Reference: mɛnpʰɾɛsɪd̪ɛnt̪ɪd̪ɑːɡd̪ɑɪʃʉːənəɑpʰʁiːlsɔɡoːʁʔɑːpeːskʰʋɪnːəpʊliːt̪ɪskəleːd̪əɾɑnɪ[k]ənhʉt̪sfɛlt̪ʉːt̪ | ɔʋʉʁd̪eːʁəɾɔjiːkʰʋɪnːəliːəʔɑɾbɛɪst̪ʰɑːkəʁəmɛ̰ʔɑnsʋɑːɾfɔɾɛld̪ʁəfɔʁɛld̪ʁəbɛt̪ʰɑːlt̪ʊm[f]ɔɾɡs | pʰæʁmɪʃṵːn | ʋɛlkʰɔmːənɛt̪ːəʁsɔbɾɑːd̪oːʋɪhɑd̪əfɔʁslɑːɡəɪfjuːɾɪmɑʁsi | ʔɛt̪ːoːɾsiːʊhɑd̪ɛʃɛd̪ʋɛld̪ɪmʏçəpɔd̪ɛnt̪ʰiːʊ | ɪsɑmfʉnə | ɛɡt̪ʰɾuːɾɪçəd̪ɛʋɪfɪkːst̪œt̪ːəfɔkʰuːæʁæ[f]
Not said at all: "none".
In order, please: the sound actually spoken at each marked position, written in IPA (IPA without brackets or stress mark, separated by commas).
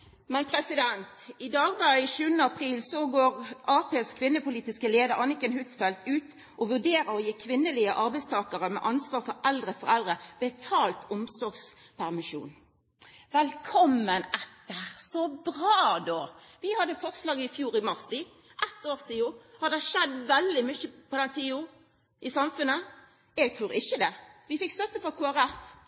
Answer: k, s, f